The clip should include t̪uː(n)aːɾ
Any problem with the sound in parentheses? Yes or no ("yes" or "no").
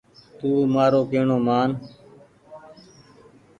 yes